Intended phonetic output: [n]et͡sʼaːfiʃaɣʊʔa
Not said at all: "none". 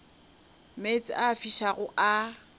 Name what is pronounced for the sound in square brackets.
m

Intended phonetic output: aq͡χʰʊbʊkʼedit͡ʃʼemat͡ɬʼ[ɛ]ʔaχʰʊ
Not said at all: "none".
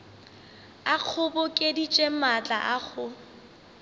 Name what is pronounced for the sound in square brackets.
a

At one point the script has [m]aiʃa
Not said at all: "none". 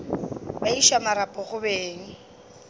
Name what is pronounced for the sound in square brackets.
b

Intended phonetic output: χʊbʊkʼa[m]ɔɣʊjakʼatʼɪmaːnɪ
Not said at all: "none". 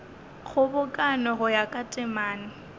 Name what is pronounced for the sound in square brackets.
n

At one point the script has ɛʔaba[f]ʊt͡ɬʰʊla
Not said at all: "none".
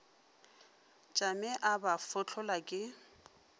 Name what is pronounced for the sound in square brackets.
f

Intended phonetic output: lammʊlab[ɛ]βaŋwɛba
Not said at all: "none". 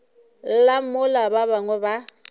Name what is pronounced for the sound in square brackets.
a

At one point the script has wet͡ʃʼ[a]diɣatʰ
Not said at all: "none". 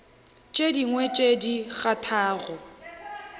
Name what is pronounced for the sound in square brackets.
e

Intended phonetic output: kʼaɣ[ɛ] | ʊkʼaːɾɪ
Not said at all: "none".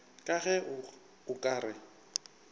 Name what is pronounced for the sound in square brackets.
ɛ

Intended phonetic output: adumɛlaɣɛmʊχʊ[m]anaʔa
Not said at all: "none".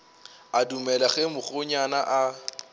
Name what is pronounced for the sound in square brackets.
ɲ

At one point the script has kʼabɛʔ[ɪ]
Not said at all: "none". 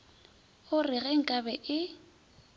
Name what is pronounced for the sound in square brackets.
ɪ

